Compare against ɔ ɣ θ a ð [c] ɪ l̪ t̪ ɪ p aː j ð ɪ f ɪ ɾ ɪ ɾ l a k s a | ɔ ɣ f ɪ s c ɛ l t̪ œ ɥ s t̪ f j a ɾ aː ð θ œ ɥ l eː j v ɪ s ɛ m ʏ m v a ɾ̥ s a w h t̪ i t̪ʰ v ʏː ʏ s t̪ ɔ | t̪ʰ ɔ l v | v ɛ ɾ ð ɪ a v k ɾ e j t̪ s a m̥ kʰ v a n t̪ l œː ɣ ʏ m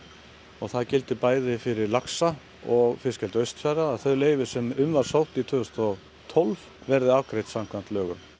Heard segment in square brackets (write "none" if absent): c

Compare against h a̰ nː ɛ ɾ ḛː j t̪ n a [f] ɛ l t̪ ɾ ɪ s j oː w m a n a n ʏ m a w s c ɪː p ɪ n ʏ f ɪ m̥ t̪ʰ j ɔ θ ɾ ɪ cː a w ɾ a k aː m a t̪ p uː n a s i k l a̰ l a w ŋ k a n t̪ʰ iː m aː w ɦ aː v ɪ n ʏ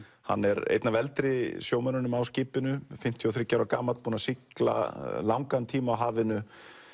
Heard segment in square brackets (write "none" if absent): v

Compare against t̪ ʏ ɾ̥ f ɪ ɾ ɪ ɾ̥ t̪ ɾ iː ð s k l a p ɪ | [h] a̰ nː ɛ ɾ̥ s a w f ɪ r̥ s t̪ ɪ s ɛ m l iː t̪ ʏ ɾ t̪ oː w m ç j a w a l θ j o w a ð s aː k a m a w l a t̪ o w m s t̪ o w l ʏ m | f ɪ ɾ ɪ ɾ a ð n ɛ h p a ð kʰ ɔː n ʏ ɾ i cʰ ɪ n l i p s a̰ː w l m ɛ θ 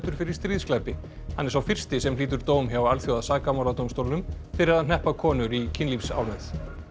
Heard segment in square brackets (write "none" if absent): h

